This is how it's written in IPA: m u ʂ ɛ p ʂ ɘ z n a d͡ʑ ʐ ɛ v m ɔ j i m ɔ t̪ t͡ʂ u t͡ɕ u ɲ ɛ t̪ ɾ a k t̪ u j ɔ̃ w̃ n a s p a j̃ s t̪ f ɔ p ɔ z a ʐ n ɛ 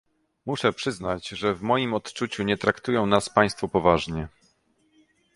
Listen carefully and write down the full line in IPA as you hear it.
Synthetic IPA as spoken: m u ʂ ɛ p ʂ ɘ z n a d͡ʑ ʐ ɛ v m ɔ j i m ɔ t̪ t͡ʂ u t͡ɕ u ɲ ɛ t̪ ɾ a k t̪ u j ɔ̃ w̃ n a s p a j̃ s t̪ f ɔ p ɔ v a ʐ ɲ ɛ